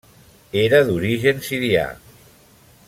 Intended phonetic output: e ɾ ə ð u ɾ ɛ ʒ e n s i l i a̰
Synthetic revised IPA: e ɾ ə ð u ɾ i ʒ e n s i ɾ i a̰